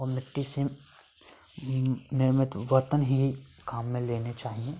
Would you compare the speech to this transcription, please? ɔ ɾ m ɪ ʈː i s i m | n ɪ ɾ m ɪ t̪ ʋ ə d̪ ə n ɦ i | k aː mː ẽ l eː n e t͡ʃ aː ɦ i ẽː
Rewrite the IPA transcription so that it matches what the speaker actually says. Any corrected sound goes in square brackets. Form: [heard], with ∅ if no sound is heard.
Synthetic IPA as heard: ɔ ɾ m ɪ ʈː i s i m | n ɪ ɾ m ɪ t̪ ʋ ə [t̪] ə n ɦ i | k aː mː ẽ l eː n e t͡ʃ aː ɦ i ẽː